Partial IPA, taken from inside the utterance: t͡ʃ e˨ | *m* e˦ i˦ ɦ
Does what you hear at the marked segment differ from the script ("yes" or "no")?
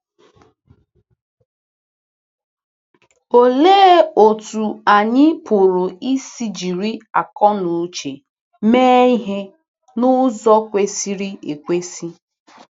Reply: no